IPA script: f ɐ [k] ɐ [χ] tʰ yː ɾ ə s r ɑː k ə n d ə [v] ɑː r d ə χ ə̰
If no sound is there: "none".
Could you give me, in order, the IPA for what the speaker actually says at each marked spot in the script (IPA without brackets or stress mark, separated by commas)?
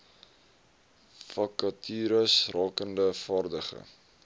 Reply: k, none, f